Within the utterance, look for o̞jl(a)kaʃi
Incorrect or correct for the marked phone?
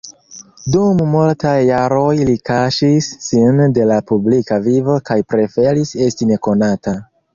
incorrect: i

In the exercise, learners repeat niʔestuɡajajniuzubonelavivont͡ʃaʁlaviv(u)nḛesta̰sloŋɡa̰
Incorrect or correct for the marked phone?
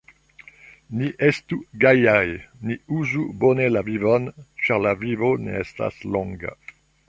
incorrect: o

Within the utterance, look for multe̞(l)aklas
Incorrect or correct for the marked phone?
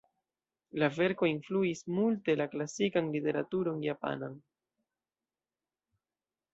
correct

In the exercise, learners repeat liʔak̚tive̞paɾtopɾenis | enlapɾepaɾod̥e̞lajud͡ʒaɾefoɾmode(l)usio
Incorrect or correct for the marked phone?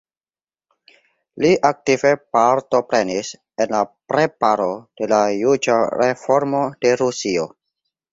incorrect: ɾ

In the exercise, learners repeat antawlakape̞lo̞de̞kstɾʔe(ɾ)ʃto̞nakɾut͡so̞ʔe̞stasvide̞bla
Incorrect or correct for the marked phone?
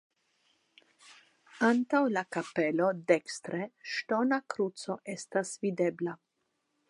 incorrect: none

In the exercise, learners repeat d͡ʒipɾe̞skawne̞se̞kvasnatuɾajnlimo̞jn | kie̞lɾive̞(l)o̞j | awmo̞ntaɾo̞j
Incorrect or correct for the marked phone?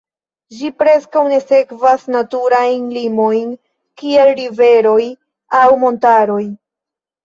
incorrect: ɾ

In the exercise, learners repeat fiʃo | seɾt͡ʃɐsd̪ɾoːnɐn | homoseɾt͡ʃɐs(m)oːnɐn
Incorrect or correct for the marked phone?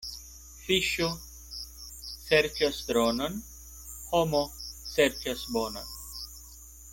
incorrect: b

